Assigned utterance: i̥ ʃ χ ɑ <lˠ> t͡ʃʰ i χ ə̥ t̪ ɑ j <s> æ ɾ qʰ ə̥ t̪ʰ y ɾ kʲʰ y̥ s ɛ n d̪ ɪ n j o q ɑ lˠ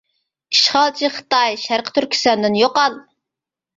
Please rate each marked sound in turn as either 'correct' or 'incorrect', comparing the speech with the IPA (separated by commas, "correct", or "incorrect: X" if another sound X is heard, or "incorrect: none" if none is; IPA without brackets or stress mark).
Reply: correct, incorrect: ʃ